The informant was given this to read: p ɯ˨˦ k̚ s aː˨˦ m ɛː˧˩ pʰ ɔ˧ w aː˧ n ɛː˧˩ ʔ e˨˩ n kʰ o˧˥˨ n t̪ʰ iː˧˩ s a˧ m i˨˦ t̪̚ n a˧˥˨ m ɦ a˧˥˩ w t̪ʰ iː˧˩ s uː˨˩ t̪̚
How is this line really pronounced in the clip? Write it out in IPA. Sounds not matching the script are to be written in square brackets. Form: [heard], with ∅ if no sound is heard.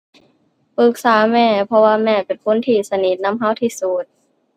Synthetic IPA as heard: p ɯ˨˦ k̚ s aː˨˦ m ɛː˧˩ pʰ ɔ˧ w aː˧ [m] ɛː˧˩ [p] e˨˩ n kʰ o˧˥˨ n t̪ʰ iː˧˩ s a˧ [n] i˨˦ t̪̚ n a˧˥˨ m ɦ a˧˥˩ w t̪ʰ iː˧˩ s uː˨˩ t̪̚